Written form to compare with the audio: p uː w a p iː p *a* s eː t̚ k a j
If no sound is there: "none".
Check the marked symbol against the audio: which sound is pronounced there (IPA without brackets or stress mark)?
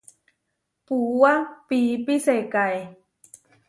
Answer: i